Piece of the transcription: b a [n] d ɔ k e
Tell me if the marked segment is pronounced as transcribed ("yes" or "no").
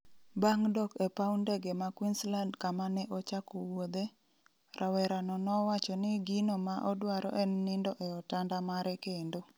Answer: no